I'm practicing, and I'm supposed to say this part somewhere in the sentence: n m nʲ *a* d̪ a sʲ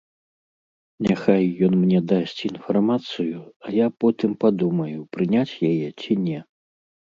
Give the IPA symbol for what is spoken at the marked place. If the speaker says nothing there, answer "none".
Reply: ɛ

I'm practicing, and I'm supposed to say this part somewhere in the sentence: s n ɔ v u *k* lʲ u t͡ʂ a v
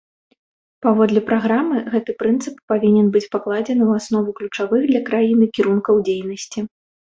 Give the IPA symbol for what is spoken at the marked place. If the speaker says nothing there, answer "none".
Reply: k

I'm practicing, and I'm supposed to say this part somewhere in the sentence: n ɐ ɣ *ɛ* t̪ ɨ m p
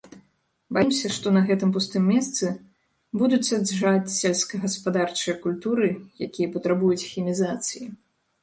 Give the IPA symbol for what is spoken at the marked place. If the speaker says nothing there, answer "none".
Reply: ɛ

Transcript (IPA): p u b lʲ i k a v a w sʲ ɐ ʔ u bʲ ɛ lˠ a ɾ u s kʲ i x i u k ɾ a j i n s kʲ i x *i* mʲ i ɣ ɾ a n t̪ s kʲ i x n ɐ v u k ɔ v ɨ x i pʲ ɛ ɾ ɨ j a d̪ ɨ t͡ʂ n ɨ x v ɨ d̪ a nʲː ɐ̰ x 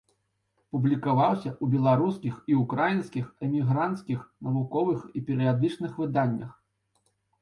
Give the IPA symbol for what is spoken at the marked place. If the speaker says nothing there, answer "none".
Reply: ɛ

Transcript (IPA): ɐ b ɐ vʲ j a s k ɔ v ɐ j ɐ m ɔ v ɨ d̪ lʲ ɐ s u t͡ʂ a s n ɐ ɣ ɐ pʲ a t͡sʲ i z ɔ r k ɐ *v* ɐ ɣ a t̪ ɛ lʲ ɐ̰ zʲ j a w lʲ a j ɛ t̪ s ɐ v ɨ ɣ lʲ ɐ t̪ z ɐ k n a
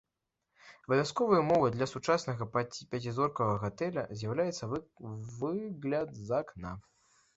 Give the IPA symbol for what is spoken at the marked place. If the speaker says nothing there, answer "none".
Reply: ɣ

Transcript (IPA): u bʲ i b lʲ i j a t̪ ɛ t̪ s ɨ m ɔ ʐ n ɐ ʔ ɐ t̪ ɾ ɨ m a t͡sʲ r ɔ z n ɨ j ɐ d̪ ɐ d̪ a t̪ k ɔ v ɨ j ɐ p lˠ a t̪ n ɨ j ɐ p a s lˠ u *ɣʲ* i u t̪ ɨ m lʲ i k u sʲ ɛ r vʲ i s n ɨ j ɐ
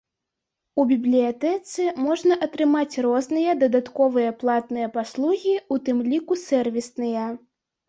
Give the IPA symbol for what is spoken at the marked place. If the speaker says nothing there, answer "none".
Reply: ɣʲ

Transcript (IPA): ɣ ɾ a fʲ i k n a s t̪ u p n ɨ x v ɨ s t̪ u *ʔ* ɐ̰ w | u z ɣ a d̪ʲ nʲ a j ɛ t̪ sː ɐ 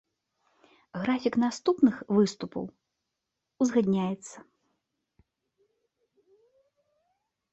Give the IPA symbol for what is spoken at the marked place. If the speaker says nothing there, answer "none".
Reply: p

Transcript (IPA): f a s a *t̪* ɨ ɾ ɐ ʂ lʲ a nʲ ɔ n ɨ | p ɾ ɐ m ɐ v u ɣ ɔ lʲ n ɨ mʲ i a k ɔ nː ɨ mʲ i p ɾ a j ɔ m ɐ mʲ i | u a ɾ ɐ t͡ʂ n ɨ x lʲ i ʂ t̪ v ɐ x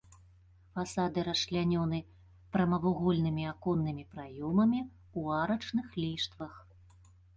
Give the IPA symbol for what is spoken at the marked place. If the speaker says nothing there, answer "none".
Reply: d̪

